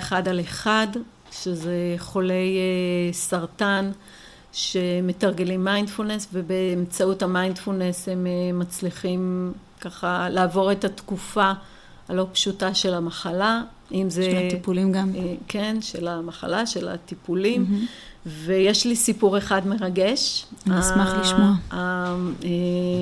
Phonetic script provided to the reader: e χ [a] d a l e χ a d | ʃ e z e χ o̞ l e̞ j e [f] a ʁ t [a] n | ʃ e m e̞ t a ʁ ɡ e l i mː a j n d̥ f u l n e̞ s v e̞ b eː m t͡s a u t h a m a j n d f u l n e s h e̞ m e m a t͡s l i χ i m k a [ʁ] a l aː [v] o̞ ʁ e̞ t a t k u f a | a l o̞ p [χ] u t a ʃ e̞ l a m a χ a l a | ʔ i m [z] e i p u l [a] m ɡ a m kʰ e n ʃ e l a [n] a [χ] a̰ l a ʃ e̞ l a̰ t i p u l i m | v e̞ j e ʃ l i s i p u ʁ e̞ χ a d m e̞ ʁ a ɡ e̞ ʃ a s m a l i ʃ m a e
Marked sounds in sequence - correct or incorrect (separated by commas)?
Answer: correct, incorrect, correct, incorrect, correct, incorrect, correct, incorrect, incorrect, correct